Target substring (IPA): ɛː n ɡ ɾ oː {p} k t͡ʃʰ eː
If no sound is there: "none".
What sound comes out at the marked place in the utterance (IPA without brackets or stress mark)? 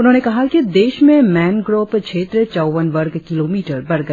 p